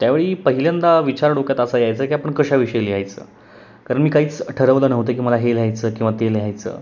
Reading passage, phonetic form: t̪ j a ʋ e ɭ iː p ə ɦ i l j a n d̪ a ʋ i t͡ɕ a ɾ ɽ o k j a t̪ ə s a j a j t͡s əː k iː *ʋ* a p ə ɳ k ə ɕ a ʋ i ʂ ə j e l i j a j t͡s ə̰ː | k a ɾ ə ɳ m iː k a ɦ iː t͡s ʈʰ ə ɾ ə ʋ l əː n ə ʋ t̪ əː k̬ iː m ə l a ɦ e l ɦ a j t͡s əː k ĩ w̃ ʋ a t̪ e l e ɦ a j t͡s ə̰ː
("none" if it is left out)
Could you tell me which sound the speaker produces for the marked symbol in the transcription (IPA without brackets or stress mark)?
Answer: none